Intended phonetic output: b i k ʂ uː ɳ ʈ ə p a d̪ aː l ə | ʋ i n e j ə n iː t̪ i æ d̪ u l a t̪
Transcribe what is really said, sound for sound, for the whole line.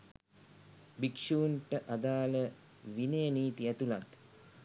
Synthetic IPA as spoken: b i k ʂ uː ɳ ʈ ə ʔ a d̪ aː l ə | ʋ i n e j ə n iː t̪ i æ t̪ u l a t̪